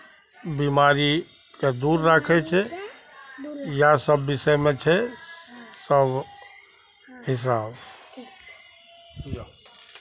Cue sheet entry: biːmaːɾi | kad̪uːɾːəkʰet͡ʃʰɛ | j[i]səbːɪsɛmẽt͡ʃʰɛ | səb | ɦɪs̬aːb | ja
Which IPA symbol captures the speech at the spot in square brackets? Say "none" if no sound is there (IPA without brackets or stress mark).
a